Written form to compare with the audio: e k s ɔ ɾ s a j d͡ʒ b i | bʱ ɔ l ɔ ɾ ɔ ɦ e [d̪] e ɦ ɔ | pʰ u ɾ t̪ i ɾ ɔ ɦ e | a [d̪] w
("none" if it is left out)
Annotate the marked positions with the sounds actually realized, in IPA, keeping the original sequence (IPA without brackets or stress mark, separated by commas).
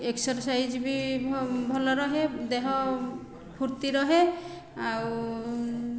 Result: d̪, none